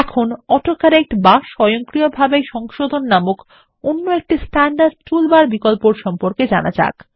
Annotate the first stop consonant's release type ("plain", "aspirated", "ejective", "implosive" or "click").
aspirated